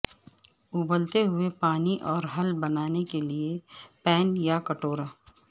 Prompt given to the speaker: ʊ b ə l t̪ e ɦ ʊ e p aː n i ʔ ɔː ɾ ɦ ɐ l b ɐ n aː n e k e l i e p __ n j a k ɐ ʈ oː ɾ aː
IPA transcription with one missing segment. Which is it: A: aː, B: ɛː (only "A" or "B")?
B